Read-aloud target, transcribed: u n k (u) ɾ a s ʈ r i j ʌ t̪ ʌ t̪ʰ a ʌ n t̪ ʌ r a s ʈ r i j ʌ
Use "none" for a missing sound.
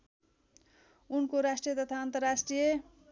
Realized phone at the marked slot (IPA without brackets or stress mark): o